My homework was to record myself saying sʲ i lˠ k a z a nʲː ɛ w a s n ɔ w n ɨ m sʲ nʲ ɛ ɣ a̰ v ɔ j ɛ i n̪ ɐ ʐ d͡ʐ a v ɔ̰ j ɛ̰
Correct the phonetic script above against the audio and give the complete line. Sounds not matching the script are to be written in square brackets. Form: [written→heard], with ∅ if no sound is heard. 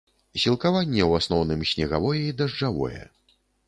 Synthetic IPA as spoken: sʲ i lˠ k a [z→v] a nʲː ɛ w a s n ɔ w n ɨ m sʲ nʲ ɛ ɣ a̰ v ɔ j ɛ i [n̪→d̪] ɐ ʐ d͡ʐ a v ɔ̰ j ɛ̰